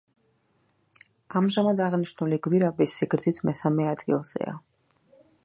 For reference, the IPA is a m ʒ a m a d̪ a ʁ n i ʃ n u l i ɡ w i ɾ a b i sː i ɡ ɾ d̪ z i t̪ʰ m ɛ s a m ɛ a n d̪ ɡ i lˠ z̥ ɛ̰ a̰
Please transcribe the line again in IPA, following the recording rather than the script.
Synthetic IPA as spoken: a m ʒ a m a d̪ a ʁ n i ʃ n u l i ɡ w i ɾ a b i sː i ɡ ɾ d̪ z i t̪ʰ m ɛ s a m ɛ a d̪ ɡ i lˠ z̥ ɛ̰ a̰

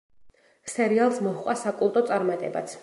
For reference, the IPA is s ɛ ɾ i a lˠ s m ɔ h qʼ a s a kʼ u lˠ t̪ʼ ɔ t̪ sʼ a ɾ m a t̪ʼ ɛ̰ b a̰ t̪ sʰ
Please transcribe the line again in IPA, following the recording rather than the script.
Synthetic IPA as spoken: s ɛ ɾ i a lˠ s m ɔ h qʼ a s a kʼ u lˠ t̪ʼ ɔ t̪ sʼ a ɾ m a t̪ʼ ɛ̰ b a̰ t̪ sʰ

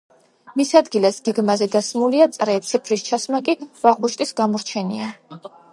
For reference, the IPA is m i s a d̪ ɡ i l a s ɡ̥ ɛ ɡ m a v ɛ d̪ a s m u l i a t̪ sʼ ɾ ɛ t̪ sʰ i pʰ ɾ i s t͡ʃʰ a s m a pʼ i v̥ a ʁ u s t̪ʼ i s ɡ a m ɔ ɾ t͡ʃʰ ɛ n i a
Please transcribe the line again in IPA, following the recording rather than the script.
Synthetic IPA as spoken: m i s a d̪ ɡ i l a s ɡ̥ ɛ ɡ m a z ɛ d̪ a s m u l i a t̪ sʼ ɾ ɛ t̪ sʰ i pʰ ɾ i s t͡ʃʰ a s m a kʼ i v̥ a ʁ u ʃ t̪ʼ i s ɡ a m ɔ ɾ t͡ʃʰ ɛ n i a

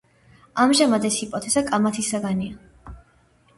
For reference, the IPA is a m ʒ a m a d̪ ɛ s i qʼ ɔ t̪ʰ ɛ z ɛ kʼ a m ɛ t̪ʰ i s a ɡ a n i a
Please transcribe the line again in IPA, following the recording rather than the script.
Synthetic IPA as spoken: a m ʒ a m a d̪ ɛ s i pʼ ɔ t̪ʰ ɛ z a kʼ a m a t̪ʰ i s a ɡ a n i a

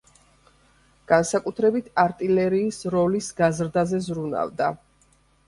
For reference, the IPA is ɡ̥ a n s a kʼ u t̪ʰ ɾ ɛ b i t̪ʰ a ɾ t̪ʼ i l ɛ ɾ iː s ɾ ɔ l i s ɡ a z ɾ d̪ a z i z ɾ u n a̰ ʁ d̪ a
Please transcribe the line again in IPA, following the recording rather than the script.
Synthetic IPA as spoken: ɡ̥ a n s a kʼ u t̪ʰ ɾ ɛ b i t̪ʰ a ɾ t̪ʼ i l ɛ ɾ iː s ɾ ɔ l i s ɡ a z ɾ d̪ a z ɛ z ɾ u n a̰ v d̪ a

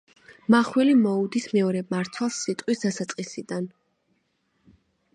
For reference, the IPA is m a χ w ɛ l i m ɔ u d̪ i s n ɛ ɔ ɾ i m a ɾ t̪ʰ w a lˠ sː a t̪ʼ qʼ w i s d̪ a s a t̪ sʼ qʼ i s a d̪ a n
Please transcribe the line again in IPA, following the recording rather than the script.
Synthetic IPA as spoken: m a χ w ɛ l i m ɔ u d̪ i s m ɛ ɔ ɾ ɛ m a ɾ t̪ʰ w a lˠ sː i t̪ʼ qʼ w i s d̪ a s a t̪ sʼ qʼ i s i d̪ a n

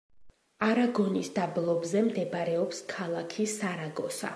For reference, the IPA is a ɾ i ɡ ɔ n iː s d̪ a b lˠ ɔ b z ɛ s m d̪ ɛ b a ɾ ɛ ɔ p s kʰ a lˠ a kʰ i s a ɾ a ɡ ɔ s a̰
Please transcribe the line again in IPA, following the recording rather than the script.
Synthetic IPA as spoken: a ɾ a ɡ ɔ n i s d̪ a b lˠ ɔ b z ɛ m d̪ ɛ b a ɾ ɛ ɔ p s kʰ a lˠ a kʰ i s a ɾ a ɡ ɔ s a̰

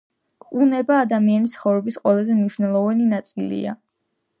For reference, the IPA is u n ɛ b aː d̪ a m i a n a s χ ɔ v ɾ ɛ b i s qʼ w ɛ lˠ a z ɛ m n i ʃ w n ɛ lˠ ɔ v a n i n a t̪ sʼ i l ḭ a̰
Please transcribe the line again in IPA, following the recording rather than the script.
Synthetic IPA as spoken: u n ɛ b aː d̪ a m i a n i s χ ɔ v ɾ ɛ b i s qʼ w ɛ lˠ a z ɛ m n i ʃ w n ɛ lˠ ɔ v a n i n a t̪ sʼ i l ḭ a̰

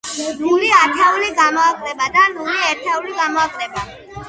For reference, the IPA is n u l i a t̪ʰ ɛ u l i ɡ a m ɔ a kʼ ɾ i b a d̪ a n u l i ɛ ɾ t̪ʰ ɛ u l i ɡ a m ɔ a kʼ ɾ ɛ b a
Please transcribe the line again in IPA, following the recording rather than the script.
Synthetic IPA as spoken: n u l i a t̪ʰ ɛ u l i ɡ a m ɔ a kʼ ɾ ɛ b a d̪ a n u l i ɛ ɾ t̪ʰ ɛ u l i ɡ a m ɔ a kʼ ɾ ɛ b a

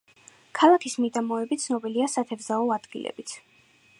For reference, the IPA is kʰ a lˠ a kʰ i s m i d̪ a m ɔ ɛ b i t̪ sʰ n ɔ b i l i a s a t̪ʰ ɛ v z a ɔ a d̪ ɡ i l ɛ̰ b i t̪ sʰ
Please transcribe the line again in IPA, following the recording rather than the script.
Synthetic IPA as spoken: kʰ a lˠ a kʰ i s m i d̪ a m ɔ ɛ b i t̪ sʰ n ɔ b i l i a s a t̪ʰ ɛ v z a ɔ a d̪ ɡ i l ɛ̰ b i t̪ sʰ

